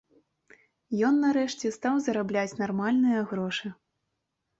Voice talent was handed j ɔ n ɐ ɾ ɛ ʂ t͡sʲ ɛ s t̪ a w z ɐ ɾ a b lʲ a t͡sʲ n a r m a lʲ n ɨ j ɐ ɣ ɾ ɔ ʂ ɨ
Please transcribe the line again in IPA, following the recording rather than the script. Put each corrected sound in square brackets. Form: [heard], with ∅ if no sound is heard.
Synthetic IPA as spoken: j ɔ [nː] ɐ ɾ ɛ ʂ t͡sʲ ɛ s t̪ a w z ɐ ɾ a b lʲ a t͡sʲ n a r m a lʲ n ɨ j ɐ ɣ ɾ ɔ ʂ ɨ